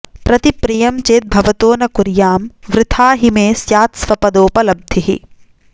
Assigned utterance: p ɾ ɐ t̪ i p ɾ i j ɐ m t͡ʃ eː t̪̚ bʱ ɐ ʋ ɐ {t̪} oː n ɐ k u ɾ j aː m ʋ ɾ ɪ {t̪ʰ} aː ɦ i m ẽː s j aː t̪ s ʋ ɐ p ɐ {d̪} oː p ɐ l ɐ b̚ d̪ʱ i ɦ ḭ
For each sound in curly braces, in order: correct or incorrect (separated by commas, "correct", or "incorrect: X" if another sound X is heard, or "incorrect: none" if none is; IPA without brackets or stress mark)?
correct, correct, correct